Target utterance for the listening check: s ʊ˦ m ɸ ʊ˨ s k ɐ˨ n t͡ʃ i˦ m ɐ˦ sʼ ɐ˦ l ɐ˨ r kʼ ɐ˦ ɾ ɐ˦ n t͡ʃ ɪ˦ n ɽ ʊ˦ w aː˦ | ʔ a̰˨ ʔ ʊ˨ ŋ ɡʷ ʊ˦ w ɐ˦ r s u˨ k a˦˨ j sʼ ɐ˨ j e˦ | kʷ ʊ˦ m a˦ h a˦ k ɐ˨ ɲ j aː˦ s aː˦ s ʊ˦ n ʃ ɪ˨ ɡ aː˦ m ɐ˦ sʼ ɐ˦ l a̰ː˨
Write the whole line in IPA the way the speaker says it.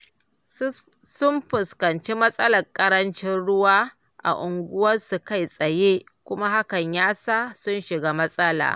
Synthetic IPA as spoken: s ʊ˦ m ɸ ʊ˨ s k ɐ˨ n t͡ʃ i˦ m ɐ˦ sʼ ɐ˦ l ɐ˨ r kʼ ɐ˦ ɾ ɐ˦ n t͡ʃ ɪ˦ n ɽ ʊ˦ w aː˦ | ʔ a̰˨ ʔ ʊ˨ ŋ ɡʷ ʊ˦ w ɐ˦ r s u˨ k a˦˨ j sʼ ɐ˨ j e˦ | kʷ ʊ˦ m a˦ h a˦ k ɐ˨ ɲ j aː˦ s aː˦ s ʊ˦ n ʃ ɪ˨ ɡ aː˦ m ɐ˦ sʼ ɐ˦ l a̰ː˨